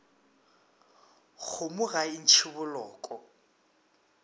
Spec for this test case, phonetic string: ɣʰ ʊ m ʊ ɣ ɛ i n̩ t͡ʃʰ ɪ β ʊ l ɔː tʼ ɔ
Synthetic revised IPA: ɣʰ ʊ m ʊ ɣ a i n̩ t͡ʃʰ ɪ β ʊ l ɔː kʼ ɔ